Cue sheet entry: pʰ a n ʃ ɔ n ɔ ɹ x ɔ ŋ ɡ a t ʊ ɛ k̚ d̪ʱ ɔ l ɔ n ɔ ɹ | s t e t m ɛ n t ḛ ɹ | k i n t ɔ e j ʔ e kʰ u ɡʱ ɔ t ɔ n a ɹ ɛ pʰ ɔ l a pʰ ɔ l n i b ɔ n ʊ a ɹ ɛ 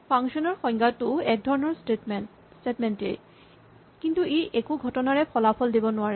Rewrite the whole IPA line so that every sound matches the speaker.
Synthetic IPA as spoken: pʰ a ŋ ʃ ɔ n ɔ ɹ x ɔ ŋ ɡ a t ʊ ɛ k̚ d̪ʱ ɔ ɹ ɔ n ɔ ɹ | s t e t m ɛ n t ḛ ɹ | k i n t u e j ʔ e k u ɡʱ ɔ t ɔ n a ɹ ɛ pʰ ɔ l a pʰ ɔ l d i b ɔ n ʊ a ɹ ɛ